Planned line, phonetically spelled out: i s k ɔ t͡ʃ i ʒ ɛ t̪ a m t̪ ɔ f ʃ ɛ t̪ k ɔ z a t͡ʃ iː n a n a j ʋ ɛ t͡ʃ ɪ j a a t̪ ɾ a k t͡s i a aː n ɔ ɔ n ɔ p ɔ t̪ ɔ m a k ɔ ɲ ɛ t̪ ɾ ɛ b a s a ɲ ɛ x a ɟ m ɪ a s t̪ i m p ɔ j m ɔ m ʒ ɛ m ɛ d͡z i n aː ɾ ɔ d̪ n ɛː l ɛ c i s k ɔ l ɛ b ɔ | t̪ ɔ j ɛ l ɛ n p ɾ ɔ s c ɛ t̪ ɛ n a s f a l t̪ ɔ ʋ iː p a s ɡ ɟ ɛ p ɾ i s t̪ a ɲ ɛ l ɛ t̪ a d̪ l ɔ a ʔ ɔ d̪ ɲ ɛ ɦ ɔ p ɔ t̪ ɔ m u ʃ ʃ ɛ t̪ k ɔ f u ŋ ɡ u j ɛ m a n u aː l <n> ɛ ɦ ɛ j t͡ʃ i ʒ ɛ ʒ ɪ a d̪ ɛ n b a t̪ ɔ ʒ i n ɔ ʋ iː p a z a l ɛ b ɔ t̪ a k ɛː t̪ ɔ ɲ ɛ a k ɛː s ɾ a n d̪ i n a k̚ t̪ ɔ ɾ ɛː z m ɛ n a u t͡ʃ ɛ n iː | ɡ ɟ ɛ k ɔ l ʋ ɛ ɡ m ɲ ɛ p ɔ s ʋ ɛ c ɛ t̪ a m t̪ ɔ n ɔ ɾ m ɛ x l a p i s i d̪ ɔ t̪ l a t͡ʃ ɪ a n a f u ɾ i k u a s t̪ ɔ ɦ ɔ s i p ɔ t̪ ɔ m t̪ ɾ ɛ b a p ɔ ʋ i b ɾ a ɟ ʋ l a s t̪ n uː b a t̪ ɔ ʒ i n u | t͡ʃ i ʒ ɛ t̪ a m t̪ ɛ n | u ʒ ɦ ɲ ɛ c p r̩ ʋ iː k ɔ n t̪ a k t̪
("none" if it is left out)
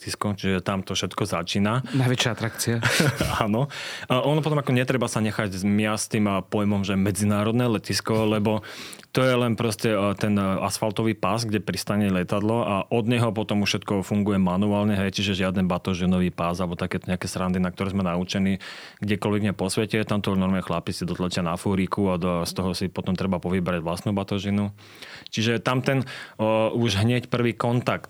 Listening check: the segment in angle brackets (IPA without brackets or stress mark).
ɲ